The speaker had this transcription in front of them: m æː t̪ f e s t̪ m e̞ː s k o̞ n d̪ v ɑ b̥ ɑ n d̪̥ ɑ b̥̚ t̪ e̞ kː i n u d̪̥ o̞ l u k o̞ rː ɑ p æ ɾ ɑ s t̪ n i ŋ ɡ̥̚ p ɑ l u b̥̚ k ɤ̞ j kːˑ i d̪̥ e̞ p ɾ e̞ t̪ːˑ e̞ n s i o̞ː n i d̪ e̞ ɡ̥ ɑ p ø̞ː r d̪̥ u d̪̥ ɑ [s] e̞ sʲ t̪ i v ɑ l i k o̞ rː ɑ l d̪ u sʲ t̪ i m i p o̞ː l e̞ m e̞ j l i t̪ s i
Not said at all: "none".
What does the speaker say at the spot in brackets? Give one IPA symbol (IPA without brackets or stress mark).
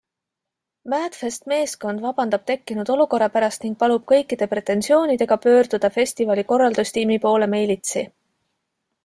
f